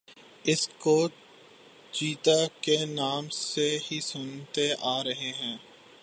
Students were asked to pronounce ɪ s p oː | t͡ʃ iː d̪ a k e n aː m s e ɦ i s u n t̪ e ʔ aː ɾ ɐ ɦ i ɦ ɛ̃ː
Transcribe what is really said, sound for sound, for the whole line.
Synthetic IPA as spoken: ɪ s k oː | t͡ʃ iː t̪ a k e n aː m s e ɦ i s ʊ n t̪ e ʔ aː ɾ ɐ ɦ e ɦ ɛ̃ː